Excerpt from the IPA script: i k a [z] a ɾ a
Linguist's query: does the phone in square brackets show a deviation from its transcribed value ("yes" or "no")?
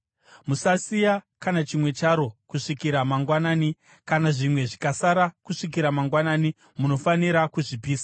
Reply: yes